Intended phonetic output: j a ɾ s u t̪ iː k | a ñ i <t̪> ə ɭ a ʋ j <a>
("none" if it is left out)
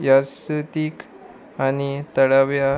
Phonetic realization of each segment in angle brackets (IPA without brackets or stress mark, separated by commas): t̪, a